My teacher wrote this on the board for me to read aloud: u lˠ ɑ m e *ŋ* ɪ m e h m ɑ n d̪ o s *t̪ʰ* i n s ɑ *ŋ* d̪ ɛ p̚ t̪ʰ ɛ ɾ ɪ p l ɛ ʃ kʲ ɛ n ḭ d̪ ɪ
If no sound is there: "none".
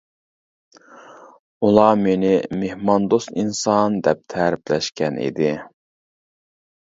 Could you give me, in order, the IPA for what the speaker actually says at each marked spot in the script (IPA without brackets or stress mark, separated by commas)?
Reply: n, t̪, n